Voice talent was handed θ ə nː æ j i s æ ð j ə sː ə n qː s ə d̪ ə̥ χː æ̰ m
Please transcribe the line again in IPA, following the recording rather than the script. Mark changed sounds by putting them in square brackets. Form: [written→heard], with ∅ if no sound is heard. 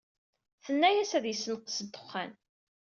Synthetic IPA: θ ə nː æ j [i→æ] s æ ð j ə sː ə n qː s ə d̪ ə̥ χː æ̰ [m→n]